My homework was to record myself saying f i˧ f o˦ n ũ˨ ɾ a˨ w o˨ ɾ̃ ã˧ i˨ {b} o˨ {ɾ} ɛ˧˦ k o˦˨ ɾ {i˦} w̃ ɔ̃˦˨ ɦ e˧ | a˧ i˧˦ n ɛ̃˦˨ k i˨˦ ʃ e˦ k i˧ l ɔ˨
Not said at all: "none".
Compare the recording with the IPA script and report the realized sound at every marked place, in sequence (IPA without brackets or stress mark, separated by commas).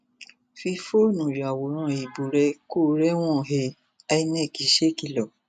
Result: b, ɾ, ɛ˦